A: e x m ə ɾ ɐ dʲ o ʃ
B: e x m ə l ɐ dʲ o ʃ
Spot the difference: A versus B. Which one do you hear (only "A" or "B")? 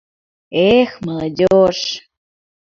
B